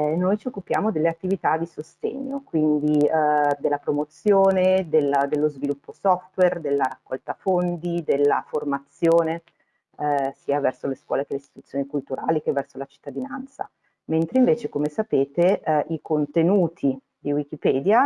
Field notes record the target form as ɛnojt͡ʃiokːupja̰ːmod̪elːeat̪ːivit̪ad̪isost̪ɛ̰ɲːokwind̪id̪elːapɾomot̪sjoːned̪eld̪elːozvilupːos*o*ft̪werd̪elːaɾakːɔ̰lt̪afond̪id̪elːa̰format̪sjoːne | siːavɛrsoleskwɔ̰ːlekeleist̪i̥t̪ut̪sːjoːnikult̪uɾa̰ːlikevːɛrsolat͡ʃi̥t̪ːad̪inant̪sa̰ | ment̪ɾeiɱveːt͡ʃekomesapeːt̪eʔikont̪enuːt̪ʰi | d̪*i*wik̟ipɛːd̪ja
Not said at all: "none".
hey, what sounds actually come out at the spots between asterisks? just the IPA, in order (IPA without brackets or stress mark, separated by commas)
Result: ɔ, i